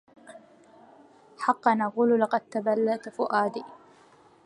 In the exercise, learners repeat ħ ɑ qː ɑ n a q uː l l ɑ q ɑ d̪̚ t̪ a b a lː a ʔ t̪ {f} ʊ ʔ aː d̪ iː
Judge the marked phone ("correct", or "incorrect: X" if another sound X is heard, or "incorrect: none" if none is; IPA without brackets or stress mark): correct